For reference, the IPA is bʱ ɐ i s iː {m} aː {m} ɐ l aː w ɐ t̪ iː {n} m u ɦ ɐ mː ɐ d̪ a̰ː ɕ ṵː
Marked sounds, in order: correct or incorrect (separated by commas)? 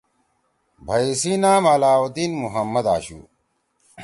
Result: incorrect, correct, correct